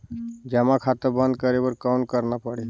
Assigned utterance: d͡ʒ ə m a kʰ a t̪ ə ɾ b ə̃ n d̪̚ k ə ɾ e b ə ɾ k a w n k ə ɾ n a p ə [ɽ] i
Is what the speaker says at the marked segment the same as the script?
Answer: yes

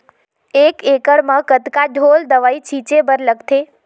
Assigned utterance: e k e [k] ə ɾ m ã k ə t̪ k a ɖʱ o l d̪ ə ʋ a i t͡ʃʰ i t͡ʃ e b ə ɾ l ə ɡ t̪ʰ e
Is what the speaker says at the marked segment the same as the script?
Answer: yes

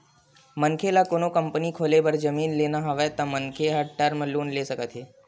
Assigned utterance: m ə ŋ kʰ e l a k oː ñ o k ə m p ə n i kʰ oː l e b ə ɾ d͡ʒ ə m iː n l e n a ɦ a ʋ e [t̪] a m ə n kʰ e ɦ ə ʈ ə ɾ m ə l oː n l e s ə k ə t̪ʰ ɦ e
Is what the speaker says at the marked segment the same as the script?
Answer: yes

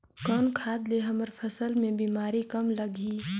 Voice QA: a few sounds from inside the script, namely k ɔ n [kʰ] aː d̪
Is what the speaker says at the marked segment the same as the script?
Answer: yes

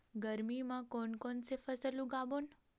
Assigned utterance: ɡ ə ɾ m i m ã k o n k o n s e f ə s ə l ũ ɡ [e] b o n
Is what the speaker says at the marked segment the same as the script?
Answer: no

